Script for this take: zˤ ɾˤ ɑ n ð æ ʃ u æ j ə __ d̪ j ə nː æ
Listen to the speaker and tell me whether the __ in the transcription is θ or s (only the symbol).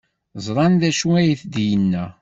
θ